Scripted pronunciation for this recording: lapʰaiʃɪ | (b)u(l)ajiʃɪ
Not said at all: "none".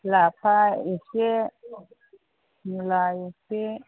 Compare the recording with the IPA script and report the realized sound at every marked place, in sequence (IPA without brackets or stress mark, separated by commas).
m, l